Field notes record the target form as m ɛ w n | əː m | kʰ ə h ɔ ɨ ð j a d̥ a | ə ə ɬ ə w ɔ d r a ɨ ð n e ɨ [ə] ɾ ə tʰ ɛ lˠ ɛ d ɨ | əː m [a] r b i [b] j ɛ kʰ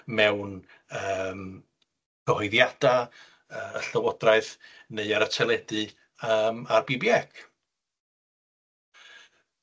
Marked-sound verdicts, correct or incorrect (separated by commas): incorrect, correct, correct